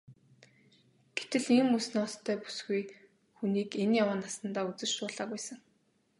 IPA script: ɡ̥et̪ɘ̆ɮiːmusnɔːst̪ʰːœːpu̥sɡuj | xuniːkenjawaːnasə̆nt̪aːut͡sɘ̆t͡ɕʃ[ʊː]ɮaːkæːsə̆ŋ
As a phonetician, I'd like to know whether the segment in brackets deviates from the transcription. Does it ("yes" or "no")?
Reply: no